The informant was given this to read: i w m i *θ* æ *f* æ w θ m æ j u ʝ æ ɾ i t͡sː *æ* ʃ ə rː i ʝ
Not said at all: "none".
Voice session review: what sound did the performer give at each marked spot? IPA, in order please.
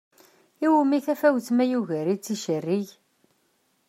θ, f, i

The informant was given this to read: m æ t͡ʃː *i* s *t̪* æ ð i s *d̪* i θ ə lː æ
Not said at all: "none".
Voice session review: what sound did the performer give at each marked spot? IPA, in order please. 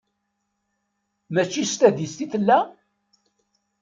i, t̪, t̪

